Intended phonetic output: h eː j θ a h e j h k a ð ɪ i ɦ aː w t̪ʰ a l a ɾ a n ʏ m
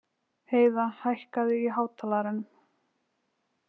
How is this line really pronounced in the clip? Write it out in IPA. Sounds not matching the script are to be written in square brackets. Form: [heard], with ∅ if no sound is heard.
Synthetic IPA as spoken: h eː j [ð] a h [a] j h k a ð ɪ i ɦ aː w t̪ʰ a l a ɾ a n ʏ m